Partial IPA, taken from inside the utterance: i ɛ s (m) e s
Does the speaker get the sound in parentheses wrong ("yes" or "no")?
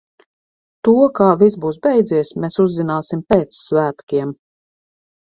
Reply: no